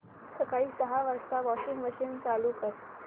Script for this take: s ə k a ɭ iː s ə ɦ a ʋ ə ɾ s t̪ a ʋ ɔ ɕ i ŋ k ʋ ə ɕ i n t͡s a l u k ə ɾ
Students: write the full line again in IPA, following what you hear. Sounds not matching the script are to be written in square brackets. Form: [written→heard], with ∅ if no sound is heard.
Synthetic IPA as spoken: s ə k a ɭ iː s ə ɦ a ʋ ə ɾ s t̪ a ʋ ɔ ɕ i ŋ [k→ɡ] ʋ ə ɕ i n t͡s a l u k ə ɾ

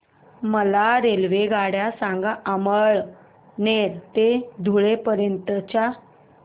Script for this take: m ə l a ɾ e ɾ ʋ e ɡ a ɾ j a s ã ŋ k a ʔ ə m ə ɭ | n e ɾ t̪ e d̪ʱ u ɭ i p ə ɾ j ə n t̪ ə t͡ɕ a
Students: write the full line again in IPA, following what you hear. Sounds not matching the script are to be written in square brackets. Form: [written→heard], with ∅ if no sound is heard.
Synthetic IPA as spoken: m ə l a ɾ e [ɾ→l] ʋ e ɡ a [ɾ→ɽ] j a s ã ŋ [k→ɡ] a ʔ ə m ə ɭ | n e ɾ t̪ e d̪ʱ u ɭ [i→e] p ə ɾ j ə n t̪ ə t͡ɕ a

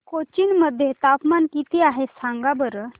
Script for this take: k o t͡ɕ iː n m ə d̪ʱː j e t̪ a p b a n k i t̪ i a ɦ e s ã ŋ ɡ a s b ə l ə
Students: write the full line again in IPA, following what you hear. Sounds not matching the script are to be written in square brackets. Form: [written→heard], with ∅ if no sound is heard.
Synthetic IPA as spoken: k o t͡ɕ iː n m ə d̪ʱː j e t̪ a p [b→m] a n k i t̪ i a ɦ e s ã ŋ ɡ a [s→∅] b ə [l→ɾ] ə

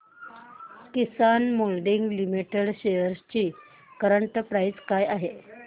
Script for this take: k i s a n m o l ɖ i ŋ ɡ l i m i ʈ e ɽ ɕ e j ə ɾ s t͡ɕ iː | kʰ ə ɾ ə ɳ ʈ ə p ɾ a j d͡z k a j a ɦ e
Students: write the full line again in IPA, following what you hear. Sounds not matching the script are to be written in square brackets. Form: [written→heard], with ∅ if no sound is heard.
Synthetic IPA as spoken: k i s a n m o l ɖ i ŋ ɡ l i m i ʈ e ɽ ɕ e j ə ɾ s t͡ɕ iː | [kʰ→k] ə ɾ ə ɳ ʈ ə p ɾ a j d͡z k a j a ɦ e

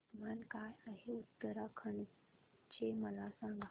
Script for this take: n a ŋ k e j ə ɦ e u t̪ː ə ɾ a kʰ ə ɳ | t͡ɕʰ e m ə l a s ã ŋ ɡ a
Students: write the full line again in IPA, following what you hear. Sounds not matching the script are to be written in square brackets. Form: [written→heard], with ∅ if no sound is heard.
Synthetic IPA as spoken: [n→m] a [ŋ→n] k [e→a] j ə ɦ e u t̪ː ə ɾ a kʰ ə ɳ | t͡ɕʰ e m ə l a s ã ŋ ɡ a

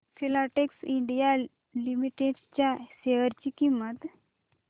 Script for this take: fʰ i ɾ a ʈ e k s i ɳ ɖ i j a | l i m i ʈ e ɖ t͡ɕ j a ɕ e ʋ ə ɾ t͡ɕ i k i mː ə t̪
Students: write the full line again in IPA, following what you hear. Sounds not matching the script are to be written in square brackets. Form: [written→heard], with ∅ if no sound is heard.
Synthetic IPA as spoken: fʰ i [ɾ→l] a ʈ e k s i ɳ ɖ i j a | l i m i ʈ e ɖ t͡ɕ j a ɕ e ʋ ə ɾ t͡ɕ i k i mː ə t̪

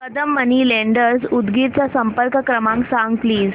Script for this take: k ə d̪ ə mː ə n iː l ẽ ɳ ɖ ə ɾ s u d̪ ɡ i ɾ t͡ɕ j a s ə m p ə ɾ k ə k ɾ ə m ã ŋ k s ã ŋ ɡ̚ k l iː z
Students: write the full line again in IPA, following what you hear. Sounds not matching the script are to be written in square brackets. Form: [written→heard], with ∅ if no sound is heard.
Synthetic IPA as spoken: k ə d̪ ə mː ə n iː l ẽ ɳ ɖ ə ɾ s u d̪ ɡ i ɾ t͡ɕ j a s ə m p ə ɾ k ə k ɾ ə m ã ŋ k s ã ŋ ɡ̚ [k→p] l iː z

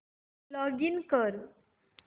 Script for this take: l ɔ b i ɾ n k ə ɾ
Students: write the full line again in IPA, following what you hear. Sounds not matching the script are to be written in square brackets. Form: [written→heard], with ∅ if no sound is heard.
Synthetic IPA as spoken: l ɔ [b→ɡ] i [ɾ→∅] n k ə ɾ

